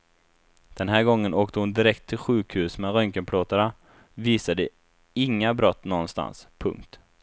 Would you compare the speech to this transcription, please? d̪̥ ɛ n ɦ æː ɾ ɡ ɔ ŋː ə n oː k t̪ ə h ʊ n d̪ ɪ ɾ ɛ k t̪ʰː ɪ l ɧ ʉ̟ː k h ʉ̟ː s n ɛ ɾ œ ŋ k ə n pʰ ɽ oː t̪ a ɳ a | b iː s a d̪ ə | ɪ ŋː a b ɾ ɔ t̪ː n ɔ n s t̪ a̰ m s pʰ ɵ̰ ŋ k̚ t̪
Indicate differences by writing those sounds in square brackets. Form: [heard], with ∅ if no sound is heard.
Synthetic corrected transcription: d̪̥ ɛ n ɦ æː ɾ ɡ ɔ ŋː ə n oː k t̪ ə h ʊ n d̪ ɪ ɾ ɛ k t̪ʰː ɪ l ɧ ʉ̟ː k h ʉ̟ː s [m] ɛ ɾ œ ŋ k ə n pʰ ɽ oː t̪ a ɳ a | [v] iː s a d̪ ə | ɪ ŋː a b ɾ ɔ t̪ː n ɔ n s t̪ a̰ [n] s pʰ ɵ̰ ŋ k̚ t̪